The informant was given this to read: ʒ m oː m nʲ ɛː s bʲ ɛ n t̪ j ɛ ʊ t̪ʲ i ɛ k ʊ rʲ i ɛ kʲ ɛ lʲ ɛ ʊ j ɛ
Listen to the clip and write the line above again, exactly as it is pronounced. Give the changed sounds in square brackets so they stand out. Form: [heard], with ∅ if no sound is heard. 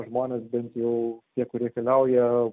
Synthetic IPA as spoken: ʒ m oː [∅] nʲ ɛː s bʲ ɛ n t̪ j ɛ ʊ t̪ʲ i ɛ k ʊ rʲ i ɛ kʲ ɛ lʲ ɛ ʊ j ɛ